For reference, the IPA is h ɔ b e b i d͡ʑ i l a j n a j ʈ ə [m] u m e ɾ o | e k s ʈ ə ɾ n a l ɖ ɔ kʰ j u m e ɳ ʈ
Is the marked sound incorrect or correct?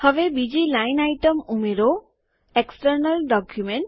correct